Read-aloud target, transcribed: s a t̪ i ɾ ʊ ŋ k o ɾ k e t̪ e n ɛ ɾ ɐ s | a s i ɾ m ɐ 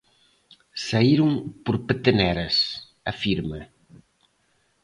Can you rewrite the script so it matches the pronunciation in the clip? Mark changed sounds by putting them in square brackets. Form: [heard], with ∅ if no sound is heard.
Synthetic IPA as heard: s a [∅] i ɾ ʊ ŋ [p] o ɾ [p] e t̪ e n ɛ ɾ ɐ s | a [f] i ɾ m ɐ